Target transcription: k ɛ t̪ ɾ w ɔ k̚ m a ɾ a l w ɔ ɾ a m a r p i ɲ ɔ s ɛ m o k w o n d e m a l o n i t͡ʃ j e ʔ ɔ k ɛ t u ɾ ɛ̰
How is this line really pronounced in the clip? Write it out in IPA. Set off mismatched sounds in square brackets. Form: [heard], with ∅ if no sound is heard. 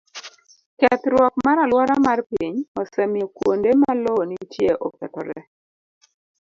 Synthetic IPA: k ɛ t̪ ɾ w ɔ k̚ m a ɾ a l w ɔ ɾ a m a r p i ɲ ɔ s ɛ m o k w o n d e m a l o n i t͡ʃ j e ʔ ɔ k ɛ t [ɔ] ɾ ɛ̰

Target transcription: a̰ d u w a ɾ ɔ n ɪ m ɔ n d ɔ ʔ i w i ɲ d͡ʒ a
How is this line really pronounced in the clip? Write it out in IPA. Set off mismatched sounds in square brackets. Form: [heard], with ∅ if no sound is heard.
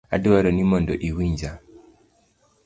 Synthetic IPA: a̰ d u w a ɾ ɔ n [i] m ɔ n d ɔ ʔ i w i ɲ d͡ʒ a

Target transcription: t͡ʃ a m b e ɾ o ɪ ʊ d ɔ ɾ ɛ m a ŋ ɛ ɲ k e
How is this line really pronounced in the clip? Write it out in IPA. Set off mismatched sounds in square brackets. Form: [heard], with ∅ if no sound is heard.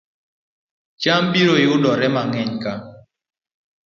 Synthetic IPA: t͡ʃ a m b [i] ɾ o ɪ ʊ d ɔ ɾ ɛ m a ŋ ɛ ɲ k [a]

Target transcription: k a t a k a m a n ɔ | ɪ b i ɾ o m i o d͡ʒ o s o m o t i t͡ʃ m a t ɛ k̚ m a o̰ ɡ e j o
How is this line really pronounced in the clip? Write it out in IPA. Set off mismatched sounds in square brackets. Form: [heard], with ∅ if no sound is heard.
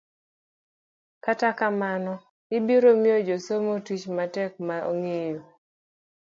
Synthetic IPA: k a t a k a m a n ɔ | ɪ b i ɾ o m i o d͡ʒ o s o m o t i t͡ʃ m a t ɛ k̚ m a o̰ [ŋ] e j o

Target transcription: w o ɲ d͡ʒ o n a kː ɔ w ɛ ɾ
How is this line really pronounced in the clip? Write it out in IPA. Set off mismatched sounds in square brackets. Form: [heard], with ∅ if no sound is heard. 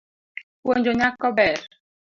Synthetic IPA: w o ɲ d͡ʒ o [ɲ] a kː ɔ [b] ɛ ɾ

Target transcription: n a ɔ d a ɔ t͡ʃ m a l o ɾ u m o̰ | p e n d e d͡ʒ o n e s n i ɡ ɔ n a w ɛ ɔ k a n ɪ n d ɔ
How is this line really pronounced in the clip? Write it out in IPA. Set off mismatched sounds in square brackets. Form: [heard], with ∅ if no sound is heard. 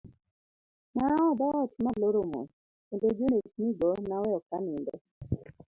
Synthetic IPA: n a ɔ d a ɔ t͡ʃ m a l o ɾ [o] m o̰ | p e n d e d͡ʒ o n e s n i ɡ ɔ n a w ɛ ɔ k a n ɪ n d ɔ

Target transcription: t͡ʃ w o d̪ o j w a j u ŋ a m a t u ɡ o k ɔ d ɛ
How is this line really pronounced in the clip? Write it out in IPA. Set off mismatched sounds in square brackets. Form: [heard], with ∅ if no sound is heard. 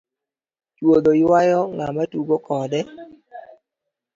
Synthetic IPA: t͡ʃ w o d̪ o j w a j [ɔ] ŋ a m a t u ɡ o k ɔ d ɛ

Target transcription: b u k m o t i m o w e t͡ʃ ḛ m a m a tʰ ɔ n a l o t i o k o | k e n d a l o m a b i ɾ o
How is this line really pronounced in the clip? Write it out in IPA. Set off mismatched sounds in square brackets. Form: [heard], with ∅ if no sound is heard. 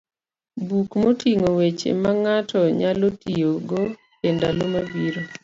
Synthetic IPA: b u k m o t i [ŋ] o w e t͡ʃ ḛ m a [ŋ] a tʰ ɔ [ɲ] a l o t i o [ɡ] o | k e n d a l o m a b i ɾ o

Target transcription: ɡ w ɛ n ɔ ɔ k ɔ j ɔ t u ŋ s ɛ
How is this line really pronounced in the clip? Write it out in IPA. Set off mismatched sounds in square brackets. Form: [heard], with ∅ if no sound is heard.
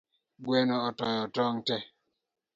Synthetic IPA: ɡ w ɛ n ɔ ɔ [t] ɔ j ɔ t [ɔ] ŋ [t] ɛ

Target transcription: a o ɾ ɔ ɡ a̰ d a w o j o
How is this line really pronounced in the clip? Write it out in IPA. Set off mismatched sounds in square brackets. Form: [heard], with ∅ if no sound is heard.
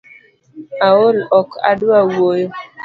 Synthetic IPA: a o [l] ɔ [k] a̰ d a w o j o

